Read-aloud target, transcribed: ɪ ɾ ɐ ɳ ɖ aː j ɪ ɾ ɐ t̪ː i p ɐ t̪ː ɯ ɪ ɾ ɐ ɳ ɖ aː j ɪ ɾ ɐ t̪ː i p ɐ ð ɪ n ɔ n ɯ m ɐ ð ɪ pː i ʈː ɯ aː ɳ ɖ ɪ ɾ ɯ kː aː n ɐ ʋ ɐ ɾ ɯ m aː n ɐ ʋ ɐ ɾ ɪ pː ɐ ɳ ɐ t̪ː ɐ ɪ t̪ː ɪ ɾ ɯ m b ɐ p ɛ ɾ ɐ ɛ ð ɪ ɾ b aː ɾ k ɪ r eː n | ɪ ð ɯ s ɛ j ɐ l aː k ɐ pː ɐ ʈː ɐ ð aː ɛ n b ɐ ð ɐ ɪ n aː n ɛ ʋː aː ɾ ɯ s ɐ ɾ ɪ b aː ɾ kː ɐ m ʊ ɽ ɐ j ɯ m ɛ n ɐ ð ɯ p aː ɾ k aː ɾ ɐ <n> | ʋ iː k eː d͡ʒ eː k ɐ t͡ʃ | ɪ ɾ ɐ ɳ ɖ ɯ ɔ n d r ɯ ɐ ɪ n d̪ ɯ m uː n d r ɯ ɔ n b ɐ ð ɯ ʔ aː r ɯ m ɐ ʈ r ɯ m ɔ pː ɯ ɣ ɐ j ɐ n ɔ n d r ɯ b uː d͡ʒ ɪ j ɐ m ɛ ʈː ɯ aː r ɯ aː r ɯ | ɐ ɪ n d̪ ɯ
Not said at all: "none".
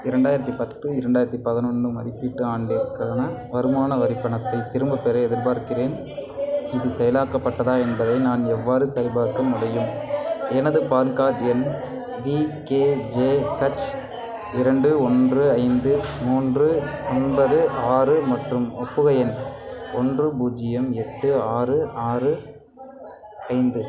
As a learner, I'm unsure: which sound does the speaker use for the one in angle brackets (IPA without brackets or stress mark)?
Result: n